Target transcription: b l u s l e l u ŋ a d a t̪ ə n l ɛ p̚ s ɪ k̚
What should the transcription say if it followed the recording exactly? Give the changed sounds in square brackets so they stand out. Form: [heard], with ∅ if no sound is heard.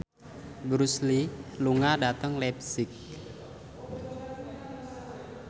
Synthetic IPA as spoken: b [ɾ] u s l [i] l u ŋ a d a t̪ ə [ŋ] l ɛ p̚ s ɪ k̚